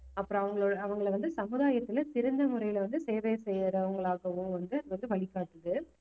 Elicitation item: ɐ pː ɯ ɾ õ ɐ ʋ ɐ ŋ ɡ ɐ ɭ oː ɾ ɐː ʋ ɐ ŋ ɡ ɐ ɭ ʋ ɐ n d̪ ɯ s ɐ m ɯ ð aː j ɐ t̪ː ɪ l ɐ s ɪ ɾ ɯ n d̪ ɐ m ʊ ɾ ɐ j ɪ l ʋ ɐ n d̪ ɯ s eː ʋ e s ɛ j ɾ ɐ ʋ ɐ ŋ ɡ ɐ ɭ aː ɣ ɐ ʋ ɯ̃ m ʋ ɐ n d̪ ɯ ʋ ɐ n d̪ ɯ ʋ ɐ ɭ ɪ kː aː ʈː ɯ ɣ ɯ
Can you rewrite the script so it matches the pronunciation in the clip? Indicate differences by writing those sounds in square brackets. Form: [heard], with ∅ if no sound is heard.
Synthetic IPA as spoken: ɐ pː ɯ ɾ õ ɐ ʋ ɐ ŋ ɡ ɐ ɭ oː [ɽ] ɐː ʋ ɐ ŋ ɡ ɐ ɭ ʋ ɐ n d̪ ɯ s ɐ m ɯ ð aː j ɐ t̪ː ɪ l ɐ s ɪ ɾ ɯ n d̪ ɐ m ʊ ɾ ɐ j ɪ l ʋ ɐ n d̪ ɯ s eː ʋ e s ɛ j ɾ ɐ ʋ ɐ ŋ ɡ ɐ ɭ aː ɣ ɐ ʋ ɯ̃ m ʋ ɐ n d̪ ɯ ʋ ɐ n d̪ ɯ ʋ ɐ ɭ ɪ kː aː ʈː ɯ [ð] ɯ